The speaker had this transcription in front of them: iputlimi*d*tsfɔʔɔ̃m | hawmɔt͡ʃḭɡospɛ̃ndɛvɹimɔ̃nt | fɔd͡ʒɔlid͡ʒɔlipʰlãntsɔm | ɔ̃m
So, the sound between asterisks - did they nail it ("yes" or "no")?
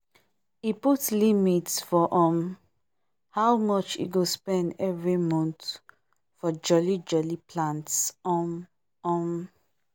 no